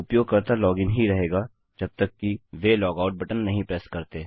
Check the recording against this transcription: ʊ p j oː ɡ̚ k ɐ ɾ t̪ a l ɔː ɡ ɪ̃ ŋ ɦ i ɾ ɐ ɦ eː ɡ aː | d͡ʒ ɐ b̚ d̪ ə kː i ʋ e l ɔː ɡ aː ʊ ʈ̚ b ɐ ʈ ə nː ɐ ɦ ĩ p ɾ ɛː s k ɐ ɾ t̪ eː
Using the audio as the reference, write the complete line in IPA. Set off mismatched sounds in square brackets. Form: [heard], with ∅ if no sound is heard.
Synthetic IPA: ʊ p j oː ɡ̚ k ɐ ɾ t̪ a l ɔː ɡ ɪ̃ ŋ ɦ i ɾ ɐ ɦ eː ɡ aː | d͡ʒ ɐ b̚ [t̪] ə kː i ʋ e l ɔː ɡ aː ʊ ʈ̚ b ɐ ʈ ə nː ɐ ɦ ĩ p ɾ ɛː s k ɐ ɾ t̪ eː

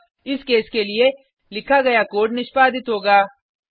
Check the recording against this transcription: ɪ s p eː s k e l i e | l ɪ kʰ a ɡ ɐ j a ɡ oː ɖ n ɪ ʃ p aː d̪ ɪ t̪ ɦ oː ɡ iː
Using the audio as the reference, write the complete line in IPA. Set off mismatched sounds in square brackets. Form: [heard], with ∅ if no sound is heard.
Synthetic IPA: ɪ s [k] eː s k e l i e | l ɪ kʰ a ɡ ɐ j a [k] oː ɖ n ɪ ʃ p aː d̪ ɪ t̪ ɦ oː ɡ [aː]

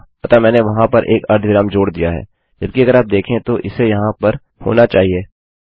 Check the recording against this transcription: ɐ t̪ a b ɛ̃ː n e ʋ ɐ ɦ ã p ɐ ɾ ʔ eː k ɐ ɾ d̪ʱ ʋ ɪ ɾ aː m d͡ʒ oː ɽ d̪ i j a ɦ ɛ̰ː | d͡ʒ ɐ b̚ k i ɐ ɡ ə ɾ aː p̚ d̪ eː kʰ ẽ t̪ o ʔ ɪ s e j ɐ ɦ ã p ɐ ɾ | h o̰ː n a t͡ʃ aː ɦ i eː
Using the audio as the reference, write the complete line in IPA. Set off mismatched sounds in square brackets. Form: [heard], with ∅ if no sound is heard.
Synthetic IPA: ɐ t̪ a [m] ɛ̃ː n e ʋ ɐ ɦ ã p ɐ ɾ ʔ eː k ɐ ɾ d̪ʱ ʋ ɪ ɾ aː m d͡ʒ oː ɽ d̪ i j a ɦ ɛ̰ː | d͡ʒ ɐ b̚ k i ɐ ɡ ə ɾ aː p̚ d̪ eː kʰ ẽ t̪ o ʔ ɪ s e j ɐ ɦ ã p ɐ ɾ | h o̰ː n a t͡ʃ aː ɦ i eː

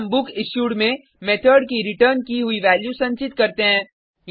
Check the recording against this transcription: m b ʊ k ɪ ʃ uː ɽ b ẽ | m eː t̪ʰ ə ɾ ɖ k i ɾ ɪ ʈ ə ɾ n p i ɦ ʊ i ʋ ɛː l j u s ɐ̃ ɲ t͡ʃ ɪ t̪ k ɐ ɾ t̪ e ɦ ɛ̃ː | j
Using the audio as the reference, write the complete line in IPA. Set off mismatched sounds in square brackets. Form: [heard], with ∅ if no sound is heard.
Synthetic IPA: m b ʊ k ɪ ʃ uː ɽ [m] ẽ | m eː t̪ʰ ə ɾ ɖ k i ɾ ɪ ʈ ə ɾ n [k] i ɦ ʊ i ʋ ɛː l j u s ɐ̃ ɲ t͡ʃ ɪ t̪ k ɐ ɾ t̪ e ɦ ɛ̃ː | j

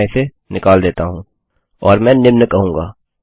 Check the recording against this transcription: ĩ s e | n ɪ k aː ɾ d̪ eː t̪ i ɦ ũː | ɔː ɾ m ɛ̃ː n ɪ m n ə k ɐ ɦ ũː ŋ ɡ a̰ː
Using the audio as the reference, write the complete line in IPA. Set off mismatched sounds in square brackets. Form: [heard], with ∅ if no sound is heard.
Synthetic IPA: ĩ s e | n ɪ k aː [l] d̪ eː t̪ [a] ɦ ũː | ɔː ɾ m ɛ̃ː n ɪ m n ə k ɐ ɦ ũː ŋ ɡ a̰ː

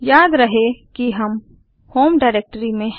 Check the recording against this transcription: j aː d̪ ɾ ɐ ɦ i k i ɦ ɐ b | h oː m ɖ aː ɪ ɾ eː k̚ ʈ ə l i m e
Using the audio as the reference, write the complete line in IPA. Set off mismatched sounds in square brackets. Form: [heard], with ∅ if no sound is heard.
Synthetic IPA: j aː d̪ ɾ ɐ ɦ [e] k i ɦ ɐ [m] | h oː m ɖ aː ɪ ɾ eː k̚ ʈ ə [ɾ] i m [ẽ]

